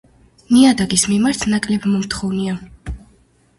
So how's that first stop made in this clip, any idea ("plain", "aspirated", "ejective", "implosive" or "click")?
plain